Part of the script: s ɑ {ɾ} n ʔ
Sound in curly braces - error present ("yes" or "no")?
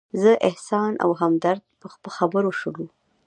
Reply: yes